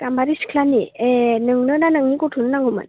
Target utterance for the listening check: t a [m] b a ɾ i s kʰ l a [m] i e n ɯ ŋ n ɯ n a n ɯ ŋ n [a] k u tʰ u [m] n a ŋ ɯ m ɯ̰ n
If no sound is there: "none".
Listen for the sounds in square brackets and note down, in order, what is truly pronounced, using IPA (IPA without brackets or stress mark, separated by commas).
m, n, i, n